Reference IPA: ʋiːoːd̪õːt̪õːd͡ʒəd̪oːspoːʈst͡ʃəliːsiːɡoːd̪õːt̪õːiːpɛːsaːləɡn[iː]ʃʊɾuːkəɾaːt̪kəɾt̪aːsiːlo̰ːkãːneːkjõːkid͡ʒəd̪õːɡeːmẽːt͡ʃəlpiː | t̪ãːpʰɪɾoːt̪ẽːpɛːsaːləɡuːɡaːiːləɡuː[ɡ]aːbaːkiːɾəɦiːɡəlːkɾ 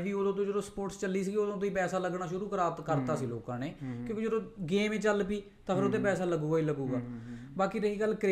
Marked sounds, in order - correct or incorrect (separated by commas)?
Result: incorrect, correct